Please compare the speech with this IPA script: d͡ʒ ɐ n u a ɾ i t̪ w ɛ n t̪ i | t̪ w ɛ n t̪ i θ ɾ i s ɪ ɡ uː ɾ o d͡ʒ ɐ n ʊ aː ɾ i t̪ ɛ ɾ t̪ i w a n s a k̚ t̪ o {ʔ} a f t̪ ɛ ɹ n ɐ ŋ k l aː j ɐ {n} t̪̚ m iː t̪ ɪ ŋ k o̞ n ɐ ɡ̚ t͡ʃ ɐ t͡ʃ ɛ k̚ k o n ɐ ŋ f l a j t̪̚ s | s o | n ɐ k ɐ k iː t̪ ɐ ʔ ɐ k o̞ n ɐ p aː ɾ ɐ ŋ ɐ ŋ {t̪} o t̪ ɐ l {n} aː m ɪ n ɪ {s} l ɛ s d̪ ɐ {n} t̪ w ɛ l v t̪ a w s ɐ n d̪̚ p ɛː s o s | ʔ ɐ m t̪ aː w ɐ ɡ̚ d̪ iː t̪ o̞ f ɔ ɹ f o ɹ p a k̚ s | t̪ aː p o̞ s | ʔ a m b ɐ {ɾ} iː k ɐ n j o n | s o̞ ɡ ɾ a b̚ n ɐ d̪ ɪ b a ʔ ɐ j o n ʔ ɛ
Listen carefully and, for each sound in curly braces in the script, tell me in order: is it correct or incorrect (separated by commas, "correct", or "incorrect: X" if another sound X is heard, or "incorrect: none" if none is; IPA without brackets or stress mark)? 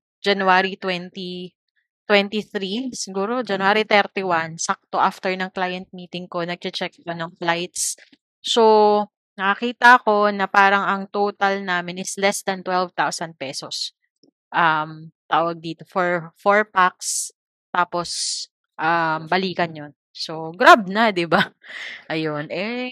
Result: correct, correct, correct, correct, correct, correct, incorrect: l